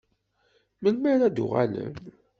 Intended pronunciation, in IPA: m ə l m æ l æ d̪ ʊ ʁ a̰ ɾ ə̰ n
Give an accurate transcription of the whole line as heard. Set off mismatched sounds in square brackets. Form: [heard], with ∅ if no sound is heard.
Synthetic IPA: m ə l m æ [ɾ] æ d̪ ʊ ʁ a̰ [l] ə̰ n

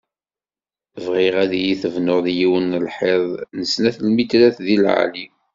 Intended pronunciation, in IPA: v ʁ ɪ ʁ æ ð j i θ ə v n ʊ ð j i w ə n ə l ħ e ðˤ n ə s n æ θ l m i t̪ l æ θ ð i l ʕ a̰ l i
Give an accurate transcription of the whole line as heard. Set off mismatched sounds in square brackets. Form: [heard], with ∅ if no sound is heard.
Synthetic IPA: v ʁ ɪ ʁ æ ð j i θ ə v n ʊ ð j i w ə n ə l ħ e ðˤ n ə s n æ θ l m i t̪ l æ θ ð i l ʕ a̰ l i

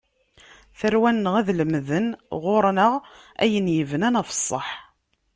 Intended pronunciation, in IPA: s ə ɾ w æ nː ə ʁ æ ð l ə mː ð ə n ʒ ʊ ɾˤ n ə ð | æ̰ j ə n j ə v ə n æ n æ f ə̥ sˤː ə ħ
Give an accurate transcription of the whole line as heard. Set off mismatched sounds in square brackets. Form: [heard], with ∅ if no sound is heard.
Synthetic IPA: [θ] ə ɾ w æ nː ə ʁ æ ð l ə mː ð ə n [ʁ] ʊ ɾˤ n ə [ʁ] | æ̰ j ə n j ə v ə n æ n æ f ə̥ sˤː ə ħ

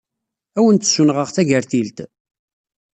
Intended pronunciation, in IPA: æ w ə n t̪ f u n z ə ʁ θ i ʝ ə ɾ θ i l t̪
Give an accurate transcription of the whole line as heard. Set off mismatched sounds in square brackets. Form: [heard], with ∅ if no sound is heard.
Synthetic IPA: æ w ə n t̪ [s] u n [ʁ] ə ʁ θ [æ] ʝ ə ɾ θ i l t̪

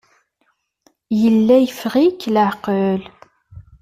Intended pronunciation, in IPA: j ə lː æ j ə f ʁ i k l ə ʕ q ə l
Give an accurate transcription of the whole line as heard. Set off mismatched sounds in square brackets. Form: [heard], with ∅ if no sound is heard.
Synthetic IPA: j ə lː æ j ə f ʁ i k l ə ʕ q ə l

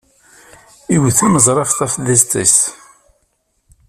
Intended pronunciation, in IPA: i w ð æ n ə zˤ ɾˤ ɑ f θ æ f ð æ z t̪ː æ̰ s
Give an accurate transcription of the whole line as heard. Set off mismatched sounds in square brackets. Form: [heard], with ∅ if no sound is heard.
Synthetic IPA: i w [θ] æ [m] ə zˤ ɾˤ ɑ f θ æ f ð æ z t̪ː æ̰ s

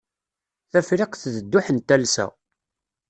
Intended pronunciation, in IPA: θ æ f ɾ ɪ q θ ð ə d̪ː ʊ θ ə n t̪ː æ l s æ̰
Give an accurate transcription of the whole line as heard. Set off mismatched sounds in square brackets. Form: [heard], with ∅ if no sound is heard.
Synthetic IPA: θ æ f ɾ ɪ q θ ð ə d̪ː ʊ [ħ] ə n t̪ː æ l s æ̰

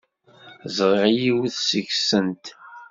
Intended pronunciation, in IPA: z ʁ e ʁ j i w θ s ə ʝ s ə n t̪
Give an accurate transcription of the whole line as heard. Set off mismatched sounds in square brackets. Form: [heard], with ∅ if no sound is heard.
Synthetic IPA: z ʁ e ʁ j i w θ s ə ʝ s ə n t̪

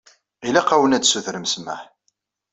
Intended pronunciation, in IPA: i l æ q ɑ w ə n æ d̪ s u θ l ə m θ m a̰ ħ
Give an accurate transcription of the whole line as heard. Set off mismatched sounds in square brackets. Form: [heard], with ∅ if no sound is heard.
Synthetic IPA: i l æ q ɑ w ə n æ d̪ s u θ [ɾ] ə m [s] m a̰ ħ

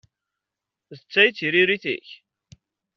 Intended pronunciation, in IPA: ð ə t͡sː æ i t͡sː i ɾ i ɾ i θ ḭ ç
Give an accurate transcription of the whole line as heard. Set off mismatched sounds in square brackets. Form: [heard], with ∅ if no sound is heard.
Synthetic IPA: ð ə t͡sː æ [j] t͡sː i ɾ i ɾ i θ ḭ ç

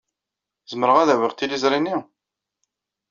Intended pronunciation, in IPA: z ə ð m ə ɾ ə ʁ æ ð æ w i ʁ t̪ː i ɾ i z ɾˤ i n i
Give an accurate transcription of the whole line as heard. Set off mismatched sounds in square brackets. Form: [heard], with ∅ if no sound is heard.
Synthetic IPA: z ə [∅] m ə ɾ ə ʁ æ ð æ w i ʁ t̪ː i [l] i z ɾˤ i n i

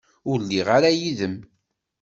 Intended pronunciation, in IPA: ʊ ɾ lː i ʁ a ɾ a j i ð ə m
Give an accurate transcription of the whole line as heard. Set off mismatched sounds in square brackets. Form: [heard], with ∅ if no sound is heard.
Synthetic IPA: ʊ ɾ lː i ʁ a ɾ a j i ð ə m

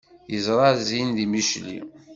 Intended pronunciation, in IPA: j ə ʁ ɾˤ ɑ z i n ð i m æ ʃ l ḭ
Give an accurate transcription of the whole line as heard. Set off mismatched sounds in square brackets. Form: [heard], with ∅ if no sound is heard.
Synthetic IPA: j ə [z] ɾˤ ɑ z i n ð i m [i] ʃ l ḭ

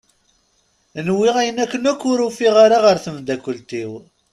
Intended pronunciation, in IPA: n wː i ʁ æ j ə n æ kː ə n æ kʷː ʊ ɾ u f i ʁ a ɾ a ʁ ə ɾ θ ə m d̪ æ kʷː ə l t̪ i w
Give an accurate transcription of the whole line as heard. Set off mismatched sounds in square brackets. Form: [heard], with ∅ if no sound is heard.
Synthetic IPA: n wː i ʁ æ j ə n æ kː ə n æ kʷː ʊ ɾ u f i ʁ a ɾ a ʁ ə ɾ θ ə m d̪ æ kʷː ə l t̪ i w

